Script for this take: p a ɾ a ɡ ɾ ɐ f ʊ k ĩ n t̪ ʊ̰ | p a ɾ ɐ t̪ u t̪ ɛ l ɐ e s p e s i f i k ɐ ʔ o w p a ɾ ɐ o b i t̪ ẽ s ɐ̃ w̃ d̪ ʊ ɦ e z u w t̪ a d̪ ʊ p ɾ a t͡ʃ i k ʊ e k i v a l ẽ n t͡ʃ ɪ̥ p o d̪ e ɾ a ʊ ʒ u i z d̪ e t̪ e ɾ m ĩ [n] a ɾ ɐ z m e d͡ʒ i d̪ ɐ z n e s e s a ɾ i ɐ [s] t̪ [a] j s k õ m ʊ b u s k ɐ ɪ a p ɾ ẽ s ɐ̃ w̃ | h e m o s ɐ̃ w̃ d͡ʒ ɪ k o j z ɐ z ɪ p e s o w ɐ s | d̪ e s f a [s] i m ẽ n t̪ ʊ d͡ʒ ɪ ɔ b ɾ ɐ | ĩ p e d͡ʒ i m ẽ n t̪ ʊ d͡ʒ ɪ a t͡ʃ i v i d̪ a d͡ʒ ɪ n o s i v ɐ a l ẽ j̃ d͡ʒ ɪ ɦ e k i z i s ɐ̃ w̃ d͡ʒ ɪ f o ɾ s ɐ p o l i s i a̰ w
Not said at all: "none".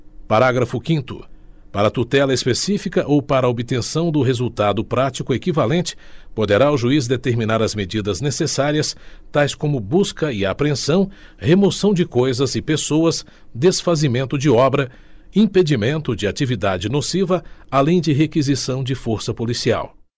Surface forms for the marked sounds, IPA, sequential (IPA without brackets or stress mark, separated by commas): n, s, a, z